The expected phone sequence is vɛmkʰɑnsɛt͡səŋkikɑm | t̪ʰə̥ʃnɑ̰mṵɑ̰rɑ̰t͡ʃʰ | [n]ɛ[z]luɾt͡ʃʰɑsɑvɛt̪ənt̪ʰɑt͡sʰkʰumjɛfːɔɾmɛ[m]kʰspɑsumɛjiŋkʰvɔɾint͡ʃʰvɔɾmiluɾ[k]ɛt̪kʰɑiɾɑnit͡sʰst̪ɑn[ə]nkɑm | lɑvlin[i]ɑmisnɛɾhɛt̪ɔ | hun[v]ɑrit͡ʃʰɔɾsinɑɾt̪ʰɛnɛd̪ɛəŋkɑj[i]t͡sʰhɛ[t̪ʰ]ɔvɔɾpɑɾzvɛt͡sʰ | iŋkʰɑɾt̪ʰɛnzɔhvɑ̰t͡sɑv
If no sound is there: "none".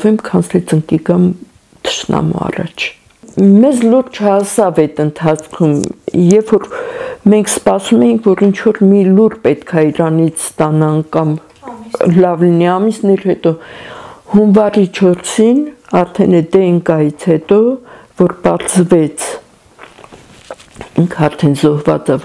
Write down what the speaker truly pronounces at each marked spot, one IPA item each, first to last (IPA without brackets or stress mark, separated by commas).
m, z, ŋ, p, ɑ, i, v, i, t̪